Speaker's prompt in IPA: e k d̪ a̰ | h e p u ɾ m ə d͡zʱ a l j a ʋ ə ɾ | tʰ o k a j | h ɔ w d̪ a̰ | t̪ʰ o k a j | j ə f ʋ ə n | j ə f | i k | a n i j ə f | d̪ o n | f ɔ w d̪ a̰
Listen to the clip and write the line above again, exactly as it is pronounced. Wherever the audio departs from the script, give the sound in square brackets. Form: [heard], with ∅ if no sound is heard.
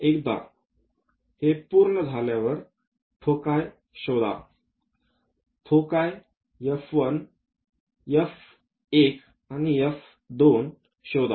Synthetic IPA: e k d̪ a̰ | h e p u ɾ [ɳ] ə d͡zʱ a l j a ʋ ə ɾ | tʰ o k a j | [ɕ] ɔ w d̪ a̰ | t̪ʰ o k a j | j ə f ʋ ə n | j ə f | [e] k | a n i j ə f | d̪ o n | [ɕ] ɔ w d̪ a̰